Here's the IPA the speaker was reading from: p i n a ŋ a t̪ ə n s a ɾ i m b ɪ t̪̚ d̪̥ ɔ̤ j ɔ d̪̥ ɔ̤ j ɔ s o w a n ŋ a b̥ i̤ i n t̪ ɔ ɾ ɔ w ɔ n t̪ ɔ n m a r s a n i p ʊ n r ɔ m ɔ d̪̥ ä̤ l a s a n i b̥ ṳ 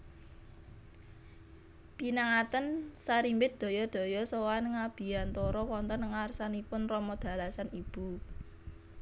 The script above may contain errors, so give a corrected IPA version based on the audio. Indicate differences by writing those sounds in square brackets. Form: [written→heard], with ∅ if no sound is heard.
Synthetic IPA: p i n a ŋ a t̪ ə n s a ɾ i m b ɪ t̪̚ d̪̥ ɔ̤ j ɔ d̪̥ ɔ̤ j ɔ s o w a n ŋ a b̥ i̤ [i→a] n t̪ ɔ ɾ ɔ w ɔ n t̪ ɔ n [m→ŋ] a r s a n i p ʊ n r ɔ m ɔ d̪̥ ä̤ l a s a n i b̥ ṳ